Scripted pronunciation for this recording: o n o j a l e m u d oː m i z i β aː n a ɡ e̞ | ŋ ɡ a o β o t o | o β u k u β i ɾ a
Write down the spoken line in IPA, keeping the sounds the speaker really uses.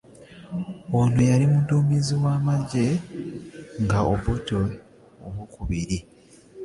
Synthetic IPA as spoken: o n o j a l i m u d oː m i z i w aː m a ɟ e̞ | ŋ ɡ a o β o t o | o β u k u β i ɾ i